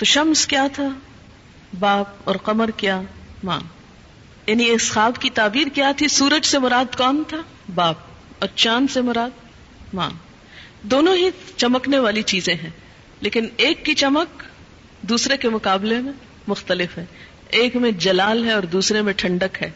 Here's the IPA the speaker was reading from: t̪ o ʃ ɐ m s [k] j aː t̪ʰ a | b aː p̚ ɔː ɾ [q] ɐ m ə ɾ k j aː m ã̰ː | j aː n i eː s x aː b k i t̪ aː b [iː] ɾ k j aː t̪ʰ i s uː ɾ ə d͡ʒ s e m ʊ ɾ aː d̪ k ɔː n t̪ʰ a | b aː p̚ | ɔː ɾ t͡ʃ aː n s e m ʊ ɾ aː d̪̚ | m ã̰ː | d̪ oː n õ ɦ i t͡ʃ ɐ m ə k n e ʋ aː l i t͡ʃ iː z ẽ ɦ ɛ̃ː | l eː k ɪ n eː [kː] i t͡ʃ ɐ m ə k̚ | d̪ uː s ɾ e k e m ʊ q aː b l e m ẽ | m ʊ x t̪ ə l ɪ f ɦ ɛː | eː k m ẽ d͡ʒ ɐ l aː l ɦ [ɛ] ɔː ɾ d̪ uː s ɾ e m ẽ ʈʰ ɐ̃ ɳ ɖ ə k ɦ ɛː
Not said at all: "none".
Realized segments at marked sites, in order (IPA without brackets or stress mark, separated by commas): k, q, iː, kː, ɛ